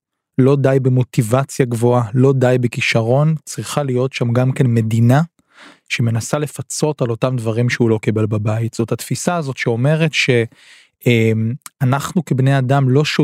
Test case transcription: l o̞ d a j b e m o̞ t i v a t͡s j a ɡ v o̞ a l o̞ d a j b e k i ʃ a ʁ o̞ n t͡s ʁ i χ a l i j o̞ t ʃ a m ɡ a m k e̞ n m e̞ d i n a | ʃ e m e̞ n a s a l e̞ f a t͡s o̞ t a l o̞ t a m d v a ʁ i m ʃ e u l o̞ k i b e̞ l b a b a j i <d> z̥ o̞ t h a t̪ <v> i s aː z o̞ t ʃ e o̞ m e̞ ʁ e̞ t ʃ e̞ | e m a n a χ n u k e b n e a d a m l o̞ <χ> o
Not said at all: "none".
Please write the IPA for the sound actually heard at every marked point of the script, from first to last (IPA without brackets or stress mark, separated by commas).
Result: t, f, ʃ